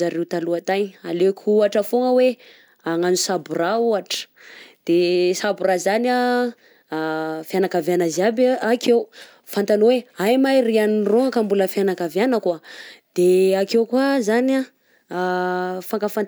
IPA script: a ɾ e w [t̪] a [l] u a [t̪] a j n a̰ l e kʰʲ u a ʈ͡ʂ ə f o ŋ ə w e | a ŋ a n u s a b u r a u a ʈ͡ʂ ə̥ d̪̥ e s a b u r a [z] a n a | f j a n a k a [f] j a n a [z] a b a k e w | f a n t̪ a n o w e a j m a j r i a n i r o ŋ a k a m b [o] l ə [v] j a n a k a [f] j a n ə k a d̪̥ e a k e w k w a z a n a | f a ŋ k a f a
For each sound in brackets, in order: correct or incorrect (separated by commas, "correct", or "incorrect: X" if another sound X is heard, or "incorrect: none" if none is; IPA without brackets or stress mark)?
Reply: correct, correct, correct, correct, incorrect: v, correct, incorrect: u, incorrect: f, incorrect: v